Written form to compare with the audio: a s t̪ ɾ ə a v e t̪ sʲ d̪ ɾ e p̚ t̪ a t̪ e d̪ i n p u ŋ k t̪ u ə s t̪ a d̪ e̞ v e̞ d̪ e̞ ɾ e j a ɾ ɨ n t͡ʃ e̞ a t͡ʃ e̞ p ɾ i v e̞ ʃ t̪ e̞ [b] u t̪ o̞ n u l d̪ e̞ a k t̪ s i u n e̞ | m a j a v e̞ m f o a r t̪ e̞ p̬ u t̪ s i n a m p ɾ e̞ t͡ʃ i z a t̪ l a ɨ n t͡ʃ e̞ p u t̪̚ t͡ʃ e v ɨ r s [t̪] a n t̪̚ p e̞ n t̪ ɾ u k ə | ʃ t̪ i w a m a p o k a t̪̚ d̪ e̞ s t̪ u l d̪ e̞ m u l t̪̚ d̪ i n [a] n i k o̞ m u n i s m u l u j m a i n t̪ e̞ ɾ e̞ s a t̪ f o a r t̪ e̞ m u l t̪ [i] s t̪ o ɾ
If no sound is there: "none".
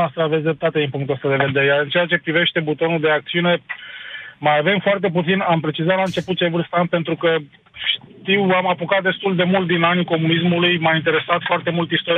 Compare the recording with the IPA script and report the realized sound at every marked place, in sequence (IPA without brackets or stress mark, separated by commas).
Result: b, t̪, a, i